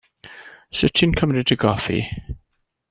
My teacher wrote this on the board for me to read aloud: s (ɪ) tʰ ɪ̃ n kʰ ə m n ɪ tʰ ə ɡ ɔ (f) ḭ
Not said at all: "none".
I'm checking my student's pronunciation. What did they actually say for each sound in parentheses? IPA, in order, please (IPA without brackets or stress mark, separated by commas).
ɪ, f